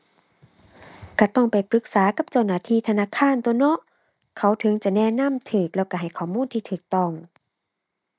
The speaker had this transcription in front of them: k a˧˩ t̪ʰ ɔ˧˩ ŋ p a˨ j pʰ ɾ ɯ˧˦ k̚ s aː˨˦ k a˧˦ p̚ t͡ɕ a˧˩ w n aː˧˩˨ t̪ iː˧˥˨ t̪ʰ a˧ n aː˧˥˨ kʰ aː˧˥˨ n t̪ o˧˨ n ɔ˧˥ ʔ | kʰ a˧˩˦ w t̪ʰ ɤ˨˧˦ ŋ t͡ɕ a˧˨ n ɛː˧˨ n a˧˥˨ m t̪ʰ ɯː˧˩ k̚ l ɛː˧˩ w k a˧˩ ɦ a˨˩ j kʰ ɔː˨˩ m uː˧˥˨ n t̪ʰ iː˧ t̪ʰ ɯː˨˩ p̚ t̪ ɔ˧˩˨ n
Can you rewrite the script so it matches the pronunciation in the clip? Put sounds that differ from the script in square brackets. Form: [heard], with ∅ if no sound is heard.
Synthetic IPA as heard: k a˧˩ [t̪] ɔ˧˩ ŋ p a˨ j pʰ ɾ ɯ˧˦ k̚ s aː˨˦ k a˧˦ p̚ t͡ɕ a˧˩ w n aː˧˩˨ [t̪ʰ] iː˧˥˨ t̪ʰ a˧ n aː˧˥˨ kʰ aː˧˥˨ n t̪ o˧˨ n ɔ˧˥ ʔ | kʰ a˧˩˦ w t̪ʰ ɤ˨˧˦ ŋ t͡ɕ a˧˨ n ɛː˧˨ n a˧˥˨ m t̪ʰ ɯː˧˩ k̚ l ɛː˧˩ w k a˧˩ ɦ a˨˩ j kʰ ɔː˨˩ m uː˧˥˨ n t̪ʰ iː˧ t̪ʰ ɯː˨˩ [k̚] t̪ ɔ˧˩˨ [ŋ]